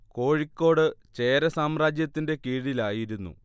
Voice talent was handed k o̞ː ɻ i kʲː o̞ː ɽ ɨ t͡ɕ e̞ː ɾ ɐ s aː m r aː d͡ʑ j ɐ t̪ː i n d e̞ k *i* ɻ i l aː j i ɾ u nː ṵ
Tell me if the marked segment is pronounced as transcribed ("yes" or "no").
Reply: no